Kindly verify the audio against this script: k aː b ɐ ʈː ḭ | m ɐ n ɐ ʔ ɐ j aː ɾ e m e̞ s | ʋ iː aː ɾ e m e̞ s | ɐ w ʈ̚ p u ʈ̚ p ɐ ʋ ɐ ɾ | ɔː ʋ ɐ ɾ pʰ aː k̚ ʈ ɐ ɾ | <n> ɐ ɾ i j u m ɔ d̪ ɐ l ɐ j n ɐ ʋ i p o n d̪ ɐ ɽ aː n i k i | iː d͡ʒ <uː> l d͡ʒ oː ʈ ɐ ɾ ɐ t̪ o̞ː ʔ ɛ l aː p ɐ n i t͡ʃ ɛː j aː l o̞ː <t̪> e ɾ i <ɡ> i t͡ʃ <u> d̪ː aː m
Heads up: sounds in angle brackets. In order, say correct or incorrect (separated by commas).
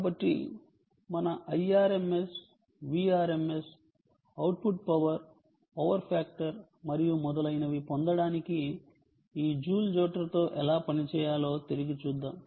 incorrect, correct, correct, correct, incorrect